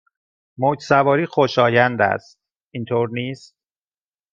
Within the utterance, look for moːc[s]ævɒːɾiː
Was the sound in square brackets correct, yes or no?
yes